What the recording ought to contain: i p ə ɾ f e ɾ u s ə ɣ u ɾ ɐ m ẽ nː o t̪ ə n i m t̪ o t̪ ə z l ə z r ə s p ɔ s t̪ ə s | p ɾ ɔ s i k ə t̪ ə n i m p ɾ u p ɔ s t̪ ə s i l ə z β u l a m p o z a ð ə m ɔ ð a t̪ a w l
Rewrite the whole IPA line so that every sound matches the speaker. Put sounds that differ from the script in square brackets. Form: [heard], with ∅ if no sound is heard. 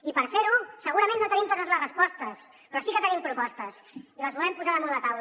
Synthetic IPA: i p ə ɾ f e ɾ u s ə ɣ u ɾ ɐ m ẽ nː o t̪ ə n i m t̪ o t̪ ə z l ə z r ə s p ɔ s t̪ ə s | p ɾ ɔ s i k ə t̪ ə n i m p ɾ u p ɔ s t̪ ə s i l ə z β u l [ɛ] m p [u] z a ð ə m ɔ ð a t̪ a w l